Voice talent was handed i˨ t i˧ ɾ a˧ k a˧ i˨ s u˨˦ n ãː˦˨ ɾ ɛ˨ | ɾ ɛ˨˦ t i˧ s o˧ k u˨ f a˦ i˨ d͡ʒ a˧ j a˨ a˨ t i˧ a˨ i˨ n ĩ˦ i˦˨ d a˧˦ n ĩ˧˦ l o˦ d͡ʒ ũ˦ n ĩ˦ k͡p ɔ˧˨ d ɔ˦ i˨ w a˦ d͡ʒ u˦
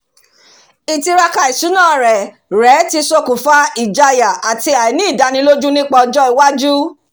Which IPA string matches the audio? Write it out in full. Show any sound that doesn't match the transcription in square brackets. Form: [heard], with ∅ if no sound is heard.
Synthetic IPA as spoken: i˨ t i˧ ɾ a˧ k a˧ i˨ s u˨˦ n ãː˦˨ ɾ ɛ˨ | ɾ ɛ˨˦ t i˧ s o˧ k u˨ f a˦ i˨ d͡ʒ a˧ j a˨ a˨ t i˧ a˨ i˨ n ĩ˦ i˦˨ d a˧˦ n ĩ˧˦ l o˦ d͡ʒ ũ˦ n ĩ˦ k͡p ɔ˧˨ [d͡ʒ] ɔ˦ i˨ w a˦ d͡ʒ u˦